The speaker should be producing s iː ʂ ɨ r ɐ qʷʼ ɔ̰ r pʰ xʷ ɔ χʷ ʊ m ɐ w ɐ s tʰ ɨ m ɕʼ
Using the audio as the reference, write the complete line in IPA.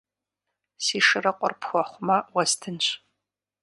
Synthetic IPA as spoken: s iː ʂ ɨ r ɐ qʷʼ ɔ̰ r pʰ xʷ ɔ χʷ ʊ m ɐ w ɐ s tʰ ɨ n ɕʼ